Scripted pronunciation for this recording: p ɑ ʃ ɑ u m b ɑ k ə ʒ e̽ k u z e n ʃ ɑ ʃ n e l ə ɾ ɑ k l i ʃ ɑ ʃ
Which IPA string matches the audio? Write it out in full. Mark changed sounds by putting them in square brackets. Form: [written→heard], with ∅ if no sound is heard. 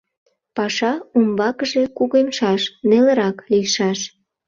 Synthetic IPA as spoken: p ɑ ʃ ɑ u m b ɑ k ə ʒ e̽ k u [z→ɣ] e [n→m] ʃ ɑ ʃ n e l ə ɾ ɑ k l i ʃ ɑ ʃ